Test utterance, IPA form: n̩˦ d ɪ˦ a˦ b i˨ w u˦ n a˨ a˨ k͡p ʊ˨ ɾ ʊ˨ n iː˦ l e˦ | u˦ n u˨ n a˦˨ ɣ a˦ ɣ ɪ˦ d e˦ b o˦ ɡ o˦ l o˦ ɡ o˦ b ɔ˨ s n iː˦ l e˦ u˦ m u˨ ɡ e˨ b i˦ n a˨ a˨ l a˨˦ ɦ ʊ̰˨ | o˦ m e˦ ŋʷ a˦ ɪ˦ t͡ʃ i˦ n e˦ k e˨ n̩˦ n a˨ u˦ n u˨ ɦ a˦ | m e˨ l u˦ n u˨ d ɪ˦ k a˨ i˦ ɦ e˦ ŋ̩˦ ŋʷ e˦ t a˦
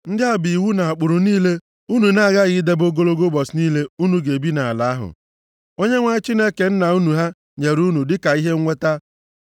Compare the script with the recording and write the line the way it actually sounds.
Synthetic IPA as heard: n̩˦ d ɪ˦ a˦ b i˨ w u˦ n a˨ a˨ k͡p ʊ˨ ɾ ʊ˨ n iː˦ l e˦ | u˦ n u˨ n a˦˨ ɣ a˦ ɣ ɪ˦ d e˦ b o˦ ɡ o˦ l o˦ ɡ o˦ b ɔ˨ s n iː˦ l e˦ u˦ n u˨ ɡ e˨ b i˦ n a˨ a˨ l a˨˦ ɦ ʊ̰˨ | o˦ ɲ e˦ ŋʷ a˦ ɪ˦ t͡ʃ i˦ n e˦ k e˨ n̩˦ n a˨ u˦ n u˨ ɦ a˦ | ɲ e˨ ɾ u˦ n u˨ d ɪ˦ k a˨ i˦ ɦ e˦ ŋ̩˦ ŋʷ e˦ t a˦